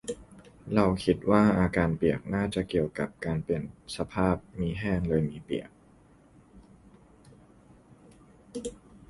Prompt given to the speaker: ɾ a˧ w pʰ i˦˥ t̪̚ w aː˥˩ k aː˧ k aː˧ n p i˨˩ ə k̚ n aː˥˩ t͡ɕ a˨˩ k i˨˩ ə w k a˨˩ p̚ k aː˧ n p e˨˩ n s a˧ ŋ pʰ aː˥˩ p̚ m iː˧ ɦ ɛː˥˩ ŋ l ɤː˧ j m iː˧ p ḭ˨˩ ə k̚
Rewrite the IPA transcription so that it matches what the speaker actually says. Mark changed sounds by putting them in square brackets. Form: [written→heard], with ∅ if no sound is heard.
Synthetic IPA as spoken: ɾ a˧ w [pʰ→kʰ] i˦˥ t̪̚ w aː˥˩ [k→ʔ] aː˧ k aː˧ n p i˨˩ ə k̚ n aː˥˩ t͡ɕ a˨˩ k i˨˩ ə w k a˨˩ p̚ k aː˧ n p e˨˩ n s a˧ [ŋ→∅] pʰ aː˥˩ p̚ m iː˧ ɦ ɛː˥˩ ŋ l ɤː˧ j m iː˧ p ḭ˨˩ ə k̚